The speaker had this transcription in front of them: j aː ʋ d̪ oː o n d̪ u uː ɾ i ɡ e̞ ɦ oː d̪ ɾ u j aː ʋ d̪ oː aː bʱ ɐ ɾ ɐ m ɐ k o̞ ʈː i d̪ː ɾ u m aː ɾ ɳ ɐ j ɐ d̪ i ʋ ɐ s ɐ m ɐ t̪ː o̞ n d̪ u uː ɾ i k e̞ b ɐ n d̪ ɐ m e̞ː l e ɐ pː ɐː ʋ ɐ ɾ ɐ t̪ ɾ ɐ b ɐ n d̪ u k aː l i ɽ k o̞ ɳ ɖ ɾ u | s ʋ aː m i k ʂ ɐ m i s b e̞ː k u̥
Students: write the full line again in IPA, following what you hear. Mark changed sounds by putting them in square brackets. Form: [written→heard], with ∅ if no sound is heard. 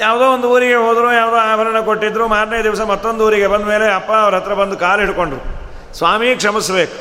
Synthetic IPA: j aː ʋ d̪ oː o n d̪ u uː ɾ i ɡ e̞ ɦ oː d̪ ɾ u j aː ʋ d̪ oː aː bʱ ɐ ɾ ɐ [m→ɳ] ɐ k o̞ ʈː i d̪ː ɾ u m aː ɾ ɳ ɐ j ɐ d̪ i ʋ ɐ s ɐ m ɐ t̪ː o̞ n d̪ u uː ɾ i [k→ɡ] e̞ b ɐ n d̪ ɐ m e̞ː l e ɐ pː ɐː ʋ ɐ ɾ ɐ t̪ ɾ ɐ b ɐ n d̪ u k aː l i ɽ k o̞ ɳ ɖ ɾ u | s ʋ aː m i k ʂ ɐ m i s b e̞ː k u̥